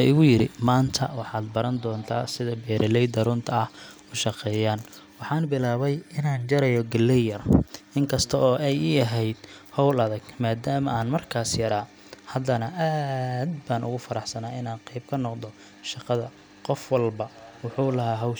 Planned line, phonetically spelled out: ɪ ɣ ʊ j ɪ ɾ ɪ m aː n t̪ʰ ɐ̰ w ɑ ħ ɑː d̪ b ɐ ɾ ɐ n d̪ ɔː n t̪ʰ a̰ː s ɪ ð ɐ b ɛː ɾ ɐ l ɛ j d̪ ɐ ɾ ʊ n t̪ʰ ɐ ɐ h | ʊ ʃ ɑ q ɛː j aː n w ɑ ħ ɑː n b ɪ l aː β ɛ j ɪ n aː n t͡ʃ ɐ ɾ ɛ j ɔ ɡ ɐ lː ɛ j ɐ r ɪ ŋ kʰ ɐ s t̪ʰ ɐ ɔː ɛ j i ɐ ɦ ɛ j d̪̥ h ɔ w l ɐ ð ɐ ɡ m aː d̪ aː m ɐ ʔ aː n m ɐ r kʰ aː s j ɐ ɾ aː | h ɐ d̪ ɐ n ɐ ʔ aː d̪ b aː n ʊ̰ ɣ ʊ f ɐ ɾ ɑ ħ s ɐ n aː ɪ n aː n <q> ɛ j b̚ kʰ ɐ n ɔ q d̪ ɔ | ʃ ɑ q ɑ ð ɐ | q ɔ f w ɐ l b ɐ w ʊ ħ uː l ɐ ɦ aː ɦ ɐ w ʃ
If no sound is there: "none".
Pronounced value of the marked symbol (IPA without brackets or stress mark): q